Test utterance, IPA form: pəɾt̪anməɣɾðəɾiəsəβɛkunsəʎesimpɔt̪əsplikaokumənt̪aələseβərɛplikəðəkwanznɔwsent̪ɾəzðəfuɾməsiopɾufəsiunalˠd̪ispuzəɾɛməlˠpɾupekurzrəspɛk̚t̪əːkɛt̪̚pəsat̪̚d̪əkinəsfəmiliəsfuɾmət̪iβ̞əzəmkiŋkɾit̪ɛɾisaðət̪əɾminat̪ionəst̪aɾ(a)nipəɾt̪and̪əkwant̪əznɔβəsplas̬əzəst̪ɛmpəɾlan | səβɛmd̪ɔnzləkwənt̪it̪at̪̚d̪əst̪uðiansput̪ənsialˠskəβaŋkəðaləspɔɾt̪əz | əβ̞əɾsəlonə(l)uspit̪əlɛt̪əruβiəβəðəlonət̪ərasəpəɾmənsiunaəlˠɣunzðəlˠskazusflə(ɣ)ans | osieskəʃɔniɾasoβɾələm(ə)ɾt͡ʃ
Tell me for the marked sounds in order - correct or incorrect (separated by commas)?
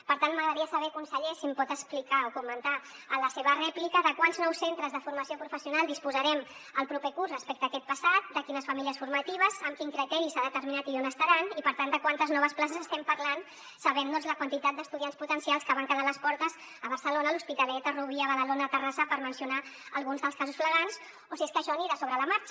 correct, correct, correct, incorrect